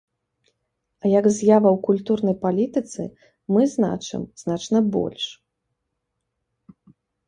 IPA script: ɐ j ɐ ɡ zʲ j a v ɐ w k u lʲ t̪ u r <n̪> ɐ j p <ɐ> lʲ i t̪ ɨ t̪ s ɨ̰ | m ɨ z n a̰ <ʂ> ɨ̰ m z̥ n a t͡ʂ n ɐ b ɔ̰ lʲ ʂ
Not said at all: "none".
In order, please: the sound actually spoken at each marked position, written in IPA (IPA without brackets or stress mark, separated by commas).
n̪, a, t͡ʂ